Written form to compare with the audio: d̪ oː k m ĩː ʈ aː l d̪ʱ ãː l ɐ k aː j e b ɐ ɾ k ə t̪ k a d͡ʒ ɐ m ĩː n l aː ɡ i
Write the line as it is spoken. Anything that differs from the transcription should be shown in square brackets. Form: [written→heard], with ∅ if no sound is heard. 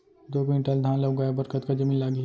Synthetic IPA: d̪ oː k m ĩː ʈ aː l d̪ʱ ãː l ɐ [k→ɡ] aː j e b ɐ ɾ k ə t̪ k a d͡ʒ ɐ m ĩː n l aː ɡ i